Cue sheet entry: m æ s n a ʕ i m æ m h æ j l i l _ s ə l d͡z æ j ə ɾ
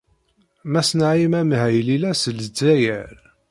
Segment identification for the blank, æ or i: æ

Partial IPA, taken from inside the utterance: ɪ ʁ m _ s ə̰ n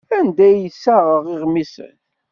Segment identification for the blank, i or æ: i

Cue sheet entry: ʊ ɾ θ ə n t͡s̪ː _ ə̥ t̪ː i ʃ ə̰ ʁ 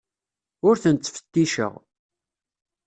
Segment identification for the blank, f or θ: f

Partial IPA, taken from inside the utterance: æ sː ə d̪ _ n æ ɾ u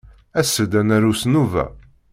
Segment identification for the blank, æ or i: æ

